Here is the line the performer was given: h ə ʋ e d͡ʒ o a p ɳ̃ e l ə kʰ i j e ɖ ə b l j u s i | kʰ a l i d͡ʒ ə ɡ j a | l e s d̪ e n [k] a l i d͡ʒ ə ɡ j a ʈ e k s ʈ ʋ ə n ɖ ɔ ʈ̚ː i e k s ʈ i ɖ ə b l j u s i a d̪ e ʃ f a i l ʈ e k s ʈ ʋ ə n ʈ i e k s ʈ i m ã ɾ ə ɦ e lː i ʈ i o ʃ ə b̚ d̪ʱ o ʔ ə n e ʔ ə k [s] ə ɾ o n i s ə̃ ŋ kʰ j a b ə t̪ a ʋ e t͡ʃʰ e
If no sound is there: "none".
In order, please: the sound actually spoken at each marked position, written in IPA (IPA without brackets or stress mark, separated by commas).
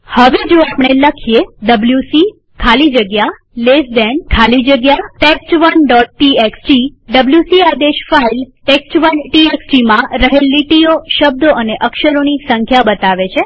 kʰ, ʃ